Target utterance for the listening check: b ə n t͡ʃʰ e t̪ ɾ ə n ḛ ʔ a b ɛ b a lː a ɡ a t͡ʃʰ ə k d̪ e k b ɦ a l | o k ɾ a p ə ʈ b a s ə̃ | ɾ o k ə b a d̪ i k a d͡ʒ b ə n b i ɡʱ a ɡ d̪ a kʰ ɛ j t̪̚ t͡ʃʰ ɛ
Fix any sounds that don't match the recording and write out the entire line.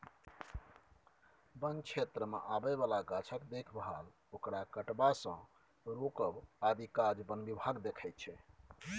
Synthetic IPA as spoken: b ə n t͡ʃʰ e t̪ ɾ ə m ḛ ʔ a b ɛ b a l a ɡ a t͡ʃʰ ə k d̪ e kʰ b ɦ a l | o k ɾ a k ə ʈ b a s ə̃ | ɾ o k ə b a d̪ i k a d͡ʒ b ə n b i bʱ a ɡ d̪ e kʰ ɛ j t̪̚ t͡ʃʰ ɛ